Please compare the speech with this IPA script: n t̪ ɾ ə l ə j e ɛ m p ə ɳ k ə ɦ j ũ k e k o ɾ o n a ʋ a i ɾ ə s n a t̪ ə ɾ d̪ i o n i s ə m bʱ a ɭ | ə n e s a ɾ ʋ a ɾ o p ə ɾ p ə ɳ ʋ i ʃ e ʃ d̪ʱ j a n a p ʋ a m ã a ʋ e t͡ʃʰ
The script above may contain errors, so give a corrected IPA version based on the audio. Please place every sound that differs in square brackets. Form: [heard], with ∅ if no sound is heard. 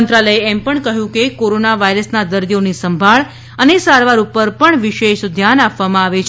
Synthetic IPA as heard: n t̪ ɾ [a] l ə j e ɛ m p ə ɳ k ə ɦ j ũ k e k o ɾ o n a ʋ a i ɾ ə s n a [d̪] ə ɾ d̪ i o n i s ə m bʱ a ɭ | ə n e s a ɾ ʋ a ɾ [u] p ə ɾ p ə ɳ ʋ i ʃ e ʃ d̪ʱ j a n a p ʋ a m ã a ʋ e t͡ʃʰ